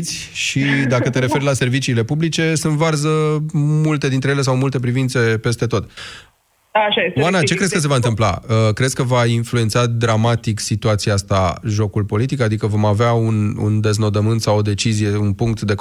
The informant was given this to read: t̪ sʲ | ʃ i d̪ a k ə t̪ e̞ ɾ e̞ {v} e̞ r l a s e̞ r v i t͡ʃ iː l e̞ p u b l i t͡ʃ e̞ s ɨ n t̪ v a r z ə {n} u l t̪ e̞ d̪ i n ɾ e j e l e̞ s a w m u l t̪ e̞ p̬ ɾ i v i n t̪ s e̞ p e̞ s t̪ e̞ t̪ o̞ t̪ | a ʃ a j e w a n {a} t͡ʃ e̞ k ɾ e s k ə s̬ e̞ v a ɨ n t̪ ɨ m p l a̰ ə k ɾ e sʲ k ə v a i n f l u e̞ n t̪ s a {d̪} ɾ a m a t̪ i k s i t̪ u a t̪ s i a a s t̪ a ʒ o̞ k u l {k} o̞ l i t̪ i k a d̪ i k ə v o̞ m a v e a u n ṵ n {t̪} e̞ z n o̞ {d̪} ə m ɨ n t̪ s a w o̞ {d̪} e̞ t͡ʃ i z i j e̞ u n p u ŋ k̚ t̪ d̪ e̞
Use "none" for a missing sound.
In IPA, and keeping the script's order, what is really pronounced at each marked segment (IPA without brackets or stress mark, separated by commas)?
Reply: f, m, a, d̪, p, d̪, d̪, d̪